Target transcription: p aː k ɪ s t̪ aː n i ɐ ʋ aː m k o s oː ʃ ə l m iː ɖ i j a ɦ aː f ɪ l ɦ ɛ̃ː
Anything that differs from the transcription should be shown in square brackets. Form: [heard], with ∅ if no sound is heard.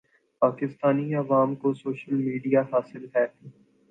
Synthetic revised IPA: p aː k ɪ s t̪ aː n i ɐ ʋ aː m k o s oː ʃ ə l m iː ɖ i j a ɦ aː [s] ɪ l ɦ [ɛː]